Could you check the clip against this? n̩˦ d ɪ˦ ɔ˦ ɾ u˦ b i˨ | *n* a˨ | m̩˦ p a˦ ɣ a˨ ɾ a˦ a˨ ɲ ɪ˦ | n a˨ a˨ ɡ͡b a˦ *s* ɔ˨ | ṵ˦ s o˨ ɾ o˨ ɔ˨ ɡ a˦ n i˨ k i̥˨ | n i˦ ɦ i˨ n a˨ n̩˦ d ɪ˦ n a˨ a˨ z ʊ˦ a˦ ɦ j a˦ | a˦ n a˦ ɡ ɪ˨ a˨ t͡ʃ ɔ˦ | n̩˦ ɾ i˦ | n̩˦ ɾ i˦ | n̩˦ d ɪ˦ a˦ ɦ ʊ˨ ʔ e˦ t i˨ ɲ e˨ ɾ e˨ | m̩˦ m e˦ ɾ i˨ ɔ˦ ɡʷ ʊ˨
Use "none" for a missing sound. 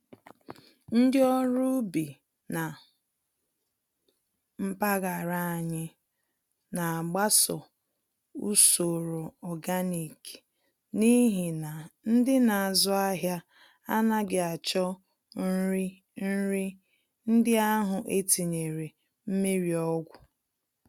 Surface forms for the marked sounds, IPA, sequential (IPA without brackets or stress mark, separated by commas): n, s